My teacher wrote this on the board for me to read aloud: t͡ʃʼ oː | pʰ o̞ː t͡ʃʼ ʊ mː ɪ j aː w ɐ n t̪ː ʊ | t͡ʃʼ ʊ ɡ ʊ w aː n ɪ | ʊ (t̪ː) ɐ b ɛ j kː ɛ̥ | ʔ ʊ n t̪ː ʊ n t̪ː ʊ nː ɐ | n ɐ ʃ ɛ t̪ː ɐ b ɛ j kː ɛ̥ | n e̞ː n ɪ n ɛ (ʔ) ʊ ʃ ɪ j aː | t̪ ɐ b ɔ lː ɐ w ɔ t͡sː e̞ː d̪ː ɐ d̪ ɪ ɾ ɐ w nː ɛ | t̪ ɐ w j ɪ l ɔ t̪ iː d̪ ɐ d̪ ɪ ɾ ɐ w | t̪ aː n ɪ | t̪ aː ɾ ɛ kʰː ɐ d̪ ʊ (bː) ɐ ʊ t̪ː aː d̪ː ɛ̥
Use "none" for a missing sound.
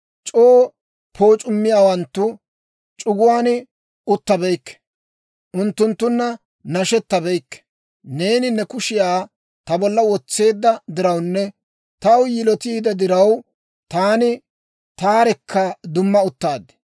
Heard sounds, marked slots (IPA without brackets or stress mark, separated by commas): t̪ː, k, mː